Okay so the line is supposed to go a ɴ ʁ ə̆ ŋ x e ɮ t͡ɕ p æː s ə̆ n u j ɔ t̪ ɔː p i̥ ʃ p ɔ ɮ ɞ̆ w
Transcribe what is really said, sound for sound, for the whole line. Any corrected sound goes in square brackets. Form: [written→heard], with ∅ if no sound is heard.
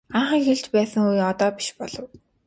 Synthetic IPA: a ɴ [ʁ→χ] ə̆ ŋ x e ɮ t͡ɕ p æː s ə̆ [n→ŋ] u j ɔ t̪ ɔː p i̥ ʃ p ɔ ɮ ɞ̆ w